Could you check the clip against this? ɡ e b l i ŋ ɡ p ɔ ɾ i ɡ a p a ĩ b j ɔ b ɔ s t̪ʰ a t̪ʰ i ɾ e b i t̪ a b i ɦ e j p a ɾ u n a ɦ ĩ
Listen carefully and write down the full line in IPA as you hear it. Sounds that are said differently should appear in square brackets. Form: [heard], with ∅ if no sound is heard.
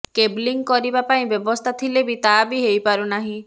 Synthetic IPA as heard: [k] e b l i ŋ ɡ [k] ɔ ɾ i [b] a p a ĩ b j ɔ b ɔ s t̪ʰ a t̪ʰ i [l] e b i t̪ a b i ɦ e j p a ɾ u n a ɦ ĩ